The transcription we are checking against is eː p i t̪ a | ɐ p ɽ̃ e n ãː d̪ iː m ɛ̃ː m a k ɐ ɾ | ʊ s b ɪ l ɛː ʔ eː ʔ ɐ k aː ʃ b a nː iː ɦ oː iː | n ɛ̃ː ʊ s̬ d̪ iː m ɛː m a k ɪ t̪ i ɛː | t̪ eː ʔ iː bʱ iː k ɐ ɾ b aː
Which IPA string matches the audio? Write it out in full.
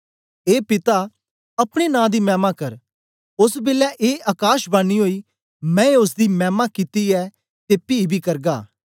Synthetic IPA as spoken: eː p ɪ t̪ a | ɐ p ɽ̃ e n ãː d̪ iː m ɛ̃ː m a k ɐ ɾ | ʊ s b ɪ l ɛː ʔ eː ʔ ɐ k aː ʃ b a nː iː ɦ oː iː | m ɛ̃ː ʊ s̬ d̪ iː m ɛː m a k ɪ t̪ i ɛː | t̪ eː p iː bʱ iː k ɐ ɾ ɡ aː